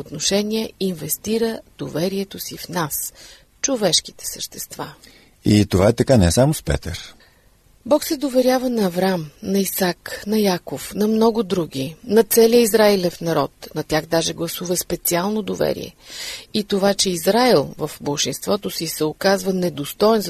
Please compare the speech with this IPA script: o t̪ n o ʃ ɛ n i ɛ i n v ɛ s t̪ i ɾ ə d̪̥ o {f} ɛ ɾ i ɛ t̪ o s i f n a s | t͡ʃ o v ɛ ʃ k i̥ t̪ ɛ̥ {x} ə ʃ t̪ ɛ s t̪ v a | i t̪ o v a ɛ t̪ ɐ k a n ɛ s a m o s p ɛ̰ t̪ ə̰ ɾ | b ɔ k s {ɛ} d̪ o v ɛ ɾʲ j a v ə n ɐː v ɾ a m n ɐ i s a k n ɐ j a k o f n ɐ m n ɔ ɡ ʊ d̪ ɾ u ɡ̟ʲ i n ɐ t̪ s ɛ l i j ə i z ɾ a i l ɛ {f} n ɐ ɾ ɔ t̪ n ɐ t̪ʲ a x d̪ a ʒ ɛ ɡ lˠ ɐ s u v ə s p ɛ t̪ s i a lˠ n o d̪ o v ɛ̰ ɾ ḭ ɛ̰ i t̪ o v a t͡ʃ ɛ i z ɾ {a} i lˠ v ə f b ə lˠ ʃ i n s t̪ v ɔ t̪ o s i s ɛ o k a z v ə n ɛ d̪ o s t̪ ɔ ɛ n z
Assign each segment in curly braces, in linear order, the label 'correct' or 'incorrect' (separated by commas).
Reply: incorrect, incorrect, correct, correct, correct